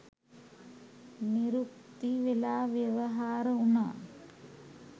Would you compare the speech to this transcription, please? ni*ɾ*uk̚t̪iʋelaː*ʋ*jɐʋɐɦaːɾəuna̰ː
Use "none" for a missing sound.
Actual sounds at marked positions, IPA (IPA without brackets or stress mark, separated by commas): ɾ, ʋ